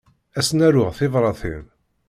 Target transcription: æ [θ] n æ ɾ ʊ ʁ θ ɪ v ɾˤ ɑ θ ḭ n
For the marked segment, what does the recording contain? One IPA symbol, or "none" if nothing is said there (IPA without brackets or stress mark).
s